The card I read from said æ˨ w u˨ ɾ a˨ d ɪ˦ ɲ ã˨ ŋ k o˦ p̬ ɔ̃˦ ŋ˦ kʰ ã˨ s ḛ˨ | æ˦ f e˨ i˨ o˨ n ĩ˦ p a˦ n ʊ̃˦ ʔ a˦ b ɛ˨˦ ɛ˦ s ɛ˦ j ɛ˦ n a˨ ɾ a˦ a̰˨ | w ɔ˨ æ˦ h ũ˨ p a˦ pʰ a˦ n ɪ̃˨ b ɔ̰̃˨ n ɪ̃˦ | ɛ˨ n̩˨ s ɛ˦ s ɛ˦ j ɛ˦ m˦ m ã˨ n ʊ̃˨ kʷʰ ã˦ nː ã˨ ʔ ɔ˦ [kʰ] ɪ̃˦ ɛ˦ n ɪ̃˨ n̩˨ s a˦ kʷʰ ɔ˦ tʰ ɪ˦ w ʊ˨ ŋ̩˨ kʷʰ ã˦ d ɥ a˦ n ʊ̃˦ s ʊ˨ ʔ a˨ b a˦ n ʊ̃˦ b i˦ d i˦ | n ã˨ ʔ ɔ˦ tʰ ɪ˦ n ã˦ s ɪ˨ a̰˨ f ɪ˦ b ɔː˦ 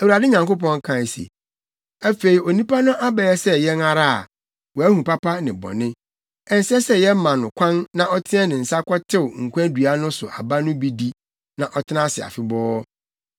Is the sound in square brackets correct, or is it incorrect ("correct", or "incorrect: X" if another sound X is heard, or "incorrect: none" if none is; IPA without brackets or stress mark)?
incorrect: tʰ